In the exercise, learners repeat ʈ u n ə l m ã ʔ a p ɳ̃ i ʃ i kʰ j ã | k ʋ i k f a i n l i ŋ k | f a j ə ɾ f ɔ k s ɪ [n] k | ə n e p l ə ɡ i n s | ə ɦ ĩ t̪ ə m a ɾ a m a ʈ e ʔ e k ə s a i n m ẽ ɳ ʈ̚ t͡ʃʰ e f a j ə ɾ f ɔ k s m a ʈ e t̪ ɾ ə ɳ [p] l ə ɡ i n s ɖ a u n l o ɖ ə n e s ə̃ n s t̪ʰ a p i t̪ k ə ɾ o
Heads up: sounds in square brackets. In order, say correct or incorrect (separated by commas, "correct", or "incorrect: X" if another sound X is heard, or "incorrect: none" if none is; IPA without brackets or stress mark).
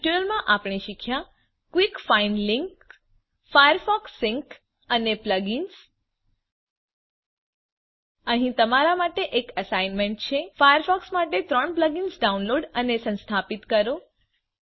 incorrect: ŋ, correct